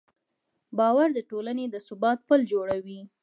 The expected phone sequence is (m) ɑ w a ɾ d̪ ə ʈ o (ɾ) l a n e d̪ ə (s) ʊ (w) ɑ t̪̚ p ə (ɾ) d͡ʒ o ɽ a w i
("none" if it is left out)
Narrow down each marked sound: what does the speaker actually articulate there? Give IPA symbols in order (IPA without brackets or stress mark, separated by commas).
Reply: b, none, s, b, l